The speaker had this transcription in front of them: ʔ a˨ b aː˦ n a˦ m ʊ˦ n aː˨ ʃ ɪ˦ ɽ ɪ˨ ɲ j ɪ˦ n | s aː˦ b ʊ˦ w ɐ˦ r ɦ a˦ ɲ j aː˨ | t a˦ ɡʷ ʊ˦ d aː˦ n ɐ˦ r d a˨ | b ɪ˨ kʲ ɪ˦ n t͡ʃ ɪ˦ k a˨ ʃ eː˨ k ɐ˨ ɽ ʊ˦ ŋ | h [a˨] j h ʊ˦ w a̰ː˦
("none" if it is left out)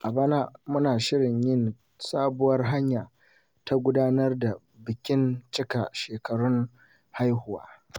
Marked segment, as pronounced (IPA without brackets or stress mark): a˦